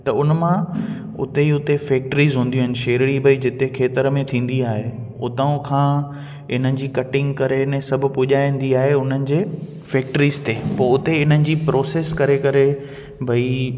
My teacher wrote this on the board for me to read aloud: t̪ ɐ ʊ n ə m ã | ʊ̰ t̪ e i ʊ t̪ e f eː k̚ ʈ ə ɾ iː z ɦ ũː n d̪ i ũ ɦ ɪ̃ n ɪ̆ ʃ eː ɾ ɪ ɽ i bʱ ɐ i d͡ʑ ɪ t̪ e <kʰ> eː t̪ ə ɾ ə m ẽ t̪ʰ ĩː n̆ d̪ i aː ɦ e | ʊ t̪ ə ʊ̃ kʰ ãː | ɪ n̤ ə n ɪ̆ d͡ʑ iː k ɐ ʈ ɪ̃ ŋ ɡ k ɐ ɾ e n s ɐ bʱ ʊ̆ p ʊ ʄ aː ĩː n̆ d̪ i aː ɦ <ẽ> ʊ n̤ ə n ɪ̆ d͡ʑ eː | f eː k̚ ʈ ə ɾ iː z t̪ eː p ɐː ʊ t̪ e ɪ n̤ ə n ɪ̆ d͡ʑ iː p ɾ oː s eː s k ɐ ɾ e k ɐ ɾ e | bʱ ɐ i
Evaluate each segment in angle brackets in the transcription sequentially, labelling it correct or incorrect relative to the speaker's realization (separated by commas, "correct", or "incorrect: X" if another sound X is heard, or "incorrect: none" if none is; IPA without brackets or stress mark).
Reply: correct, incorrect: e